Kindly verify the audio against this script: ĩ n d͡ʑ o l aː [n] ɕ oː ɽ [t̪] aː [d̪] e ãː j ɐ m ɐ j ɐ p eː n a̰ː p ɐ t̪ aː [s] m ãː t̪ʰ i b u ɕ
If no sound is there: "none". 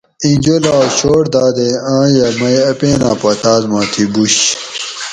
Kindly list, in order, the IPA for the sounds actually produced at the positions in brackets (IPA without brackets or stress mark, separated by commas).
none, d̪, d̪, z